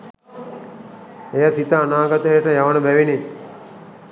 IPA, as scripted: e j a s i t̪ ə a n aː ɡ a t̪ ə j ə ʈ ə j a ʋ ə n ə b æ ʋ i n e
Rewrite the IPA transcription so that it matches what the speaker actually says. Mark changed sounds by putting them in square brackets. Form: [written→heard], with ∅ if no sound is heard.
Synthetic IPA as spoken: e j a s i t̪ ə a n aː ɡ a t̪ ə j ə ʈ ə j a ʋ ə n ə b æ ʋ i n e